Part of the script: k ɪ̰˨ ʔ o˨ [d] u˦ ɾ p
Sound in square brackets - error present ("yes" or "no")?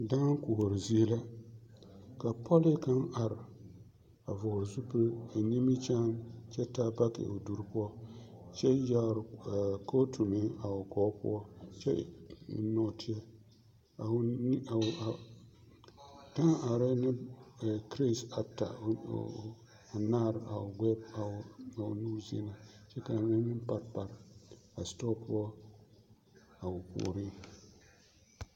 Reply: no